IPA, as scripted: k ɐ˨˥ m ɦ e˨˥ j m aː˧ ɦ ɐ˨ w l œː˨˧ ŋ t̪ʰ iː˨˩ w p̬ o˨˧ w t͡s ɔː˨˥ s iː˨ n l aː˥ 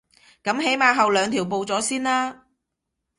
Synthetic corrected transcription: k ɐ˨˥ m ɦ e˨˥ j m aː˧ ɦ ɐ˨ w l œː˨˧ ŋ t̪ʰ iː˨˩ w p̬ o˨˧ w t͡s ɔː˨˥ s iː˥ n l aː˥